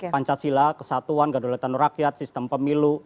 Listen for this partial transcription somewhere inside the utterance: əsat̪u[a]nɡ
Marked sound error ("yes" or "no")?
no